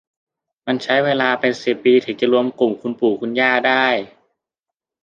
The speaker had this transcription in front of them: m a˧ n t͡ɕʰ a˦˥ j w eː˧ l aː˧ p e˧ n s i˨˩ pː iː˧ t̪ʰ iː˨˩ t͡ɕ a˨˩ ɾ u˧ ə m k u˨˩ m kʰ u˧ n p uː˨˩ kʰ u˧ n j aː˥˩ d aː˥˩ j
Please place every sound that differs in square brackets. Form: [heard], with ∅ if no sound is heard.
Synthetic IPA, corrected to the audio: m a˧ n t͡ɕʰ a˦˥ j w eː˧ l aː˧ p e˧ n s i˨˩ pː iː˧ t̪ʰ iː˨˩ t͡ɕ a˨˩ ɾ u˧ ə m k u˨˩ m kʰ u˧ n p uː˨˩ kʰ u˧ n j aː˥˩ d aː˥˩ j